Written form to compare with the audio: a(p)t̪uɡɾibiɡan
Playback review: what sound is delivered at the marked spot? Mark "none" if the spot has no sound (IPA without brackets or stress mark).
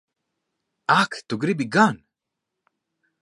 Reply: k